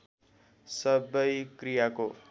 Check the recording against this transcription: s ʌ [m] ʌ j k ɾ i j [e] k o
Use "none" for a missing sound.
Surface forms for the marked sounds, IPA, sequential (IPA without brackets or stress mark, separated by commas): b, a